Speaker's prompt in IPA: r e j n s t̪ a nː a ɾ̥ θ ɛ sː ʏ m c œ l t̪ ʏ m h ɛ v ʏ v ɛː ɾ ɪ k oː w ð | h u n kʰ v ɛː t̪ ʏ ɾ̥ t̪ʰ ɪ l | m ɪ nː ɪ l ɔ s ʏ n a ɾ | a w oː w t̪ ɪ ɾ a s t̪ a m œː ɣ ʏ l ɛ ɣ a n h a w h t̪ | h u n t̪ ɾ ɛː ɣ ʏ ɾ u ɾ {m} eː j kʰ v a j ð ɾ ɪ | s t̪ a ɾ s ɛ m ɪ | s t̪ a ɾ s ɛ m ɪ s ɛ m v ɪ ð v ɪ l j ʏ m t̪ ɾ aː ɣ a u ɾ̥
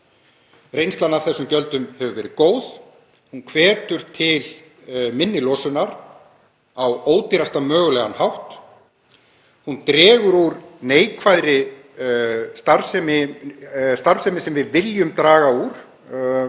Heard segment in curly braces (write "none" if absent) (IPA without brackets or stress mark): n